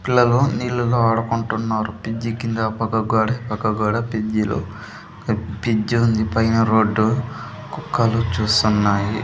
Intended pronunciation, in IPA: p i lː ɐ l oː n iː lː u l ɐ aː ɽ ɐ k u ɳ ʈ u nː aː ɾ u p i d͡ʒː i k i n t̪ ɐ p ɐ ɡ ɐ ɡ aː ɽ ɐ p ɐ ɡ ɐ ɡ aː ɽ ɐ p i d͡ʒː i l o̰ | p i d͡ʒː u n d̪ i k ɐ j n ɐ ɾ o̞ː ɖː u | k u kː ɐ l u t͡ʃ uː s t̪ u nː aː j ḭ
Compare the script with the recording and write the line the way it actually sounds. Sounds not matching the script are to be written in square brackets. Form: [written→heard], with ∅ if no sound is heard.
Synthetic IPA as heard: p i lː ɐ l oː n iː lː u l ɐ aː ɽ ɐ k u ɳ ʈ u nː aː ɾ u p i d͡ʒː i k i n [t̪→d̪] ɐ p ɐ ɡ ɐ ɡ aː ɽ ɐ p ɐ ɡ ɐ ɡ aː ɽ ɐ p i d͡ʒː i l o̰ | p i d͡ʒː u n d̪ i [k→p] ɐ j n ɐ ɾ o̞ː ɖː u | k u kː ɐ l u t͡ʃ uː s t̪ u nː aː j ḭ